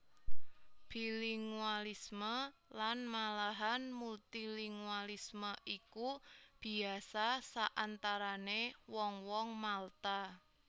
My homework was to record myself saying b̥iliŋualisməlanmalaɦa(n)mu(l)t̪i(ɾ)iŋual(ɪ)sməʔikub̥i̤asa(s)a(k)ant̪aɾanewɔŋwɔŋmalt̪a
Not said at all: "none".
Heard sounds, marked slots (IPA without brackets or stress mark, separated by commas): n, l, l, i, s, ʔ